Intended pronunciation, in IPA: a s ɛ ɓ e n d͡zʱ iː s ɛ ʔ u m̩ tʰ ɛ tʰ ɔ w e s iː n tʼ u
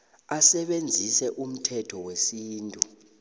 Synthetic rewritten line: a s ɛ ɓ e n d͡zʱ i s ɛ ʔ u m̩ tʰ ɛ tʰ ɔ w e s iː n tʼ u